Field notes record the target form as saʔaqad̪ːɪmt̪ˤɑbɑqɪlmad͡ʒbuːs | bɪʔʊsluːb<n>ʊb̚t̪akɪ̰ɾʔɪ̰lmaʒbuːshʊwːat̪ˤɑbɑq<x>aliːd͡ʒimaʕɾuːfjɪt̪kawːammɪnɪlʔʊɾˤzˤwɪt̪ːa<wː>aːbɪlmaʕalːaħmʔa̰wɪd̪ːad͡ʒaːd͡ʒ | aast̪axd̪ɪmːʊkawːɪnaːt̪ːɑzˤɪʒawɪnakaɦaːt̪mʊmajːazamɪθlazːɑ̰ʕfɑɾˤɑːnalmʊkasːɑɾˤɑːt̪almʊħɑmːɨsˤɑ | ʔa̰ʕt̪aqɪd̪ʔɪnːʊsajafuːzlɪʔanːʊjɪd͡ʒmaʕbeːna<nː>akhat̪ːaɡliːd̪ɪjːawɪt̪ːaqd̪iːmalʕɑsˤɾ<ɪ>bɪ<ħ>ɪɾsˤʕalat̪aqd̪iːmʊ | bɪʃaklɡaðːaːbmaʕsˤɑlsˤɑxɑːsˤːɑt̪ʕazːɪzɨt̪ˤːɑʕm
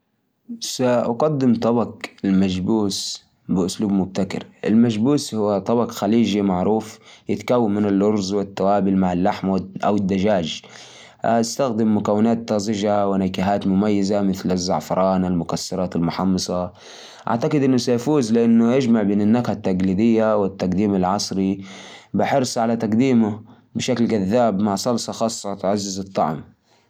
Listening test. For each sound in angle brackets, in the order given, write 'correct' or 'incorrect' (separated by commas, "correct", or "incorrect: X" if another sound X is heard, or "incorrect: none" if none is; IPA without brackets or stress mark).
incorrect: m, correct, incorrect: w, correct, incorrect: i, correct